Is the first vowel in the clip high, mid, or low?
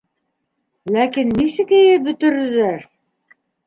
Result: low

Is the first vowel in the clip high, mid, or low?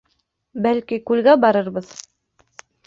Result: low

